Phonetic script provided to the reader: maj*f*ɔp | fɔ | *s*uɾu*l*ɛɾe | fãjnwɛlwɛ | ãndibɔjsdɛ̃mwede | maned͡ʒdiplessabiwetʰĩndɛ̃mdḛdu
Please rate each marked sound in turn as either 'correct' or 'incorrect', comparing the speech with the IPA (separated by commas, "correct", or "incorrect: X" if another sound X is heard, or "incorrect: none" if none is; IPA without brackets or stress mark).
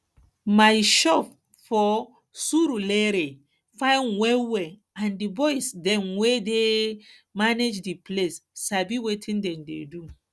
incorrect: ʃ, correct, correct